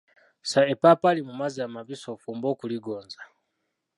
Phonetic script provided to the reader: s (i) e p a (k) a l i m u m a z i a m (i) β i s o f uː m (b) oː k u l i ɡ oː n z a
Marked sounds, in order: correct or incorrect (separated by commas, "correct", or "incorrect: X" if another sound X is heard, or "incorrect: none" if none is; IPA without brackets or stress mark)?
incorrect: a, incorrect: p, incorrect: a, correct